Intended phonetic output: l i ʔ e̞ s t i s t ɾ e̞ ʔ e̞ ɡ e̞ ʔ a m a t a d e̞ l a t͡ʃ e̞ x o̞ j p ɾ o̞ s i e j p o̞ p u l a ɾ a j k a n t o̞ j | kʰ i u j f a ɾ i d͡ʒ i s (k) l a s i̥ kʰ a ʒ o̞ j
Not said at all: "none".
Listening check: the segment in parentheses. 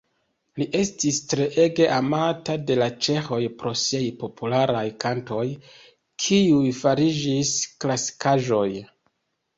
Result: k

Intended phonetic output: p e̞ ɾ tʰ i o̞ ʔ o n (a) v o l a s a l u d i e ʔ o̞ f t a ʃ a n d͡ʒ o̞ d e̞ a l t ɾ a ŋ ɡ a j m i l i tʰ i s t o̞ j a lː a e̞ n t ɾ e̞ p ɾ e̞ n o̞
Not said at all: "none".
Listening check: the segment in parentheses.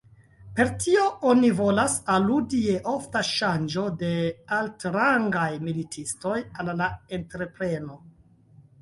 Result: i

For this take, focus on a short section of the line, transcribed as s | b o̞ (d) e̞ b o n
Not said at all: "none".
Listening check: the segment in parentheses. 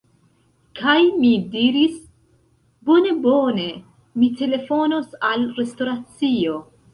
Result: n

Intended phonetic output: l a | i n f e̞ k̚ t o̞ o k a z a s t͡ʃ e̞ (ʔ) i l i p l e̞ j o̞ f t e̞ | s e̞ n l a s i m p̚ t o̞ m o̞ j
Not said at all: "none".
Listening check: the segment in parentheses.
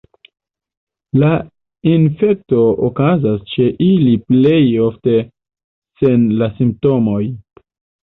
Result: ʔ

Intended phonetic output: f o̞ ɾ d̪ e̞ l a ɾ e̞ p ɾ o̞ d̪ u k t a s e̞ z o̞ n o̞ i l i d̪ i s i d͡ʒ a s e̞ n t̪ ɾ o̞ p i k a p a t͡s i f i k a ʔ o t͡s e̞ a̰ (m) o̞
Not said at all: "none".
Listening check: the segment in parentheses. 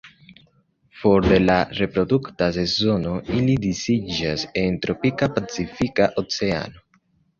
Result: n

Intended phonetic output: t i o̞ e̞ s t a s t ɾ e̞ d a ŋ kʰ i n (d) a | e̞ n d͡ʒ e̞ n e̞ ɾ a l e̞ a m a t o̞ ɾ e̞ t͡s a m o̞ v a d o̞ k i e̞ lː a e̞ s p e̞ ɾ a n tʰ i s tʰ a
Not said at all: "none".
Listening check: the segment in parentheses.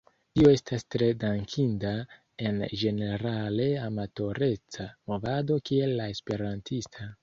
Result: d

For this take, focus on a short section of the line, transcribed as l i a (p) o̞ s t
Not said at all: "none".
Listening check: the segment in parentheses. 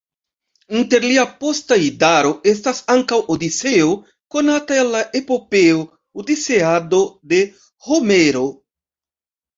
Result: p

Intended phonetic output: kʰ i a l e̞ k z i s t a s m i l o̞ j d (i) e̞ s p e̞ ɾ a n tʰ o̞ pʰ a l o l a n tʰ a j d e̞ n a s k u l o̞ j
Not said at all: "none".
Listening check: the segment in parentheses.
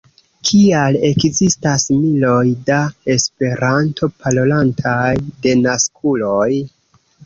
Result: a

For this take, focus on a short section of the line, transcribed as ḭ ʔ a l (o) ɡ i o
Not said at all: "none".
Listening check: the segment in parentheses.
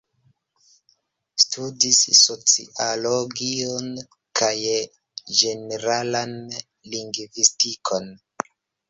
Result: o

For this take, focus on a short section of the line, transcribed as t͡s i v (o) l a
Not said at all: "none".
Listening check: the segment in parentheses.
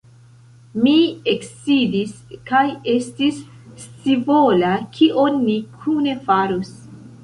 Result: o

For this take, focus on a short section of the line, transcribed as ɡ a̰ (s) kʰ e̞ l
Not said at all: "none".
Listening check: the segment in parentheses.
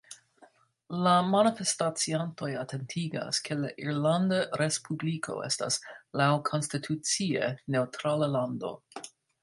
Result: s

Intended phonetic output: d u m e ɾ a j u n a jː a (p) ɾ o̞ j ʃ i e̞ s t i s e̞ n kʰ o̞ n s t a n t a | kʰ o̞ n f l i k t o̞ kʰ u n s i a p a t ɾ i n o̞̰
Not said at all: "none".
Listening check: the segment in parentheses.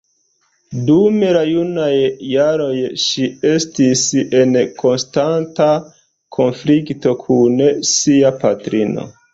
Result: none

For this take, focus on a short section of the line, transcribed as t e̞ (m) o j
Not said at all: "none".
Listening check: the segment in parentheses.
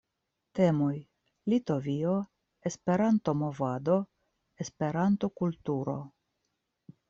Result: m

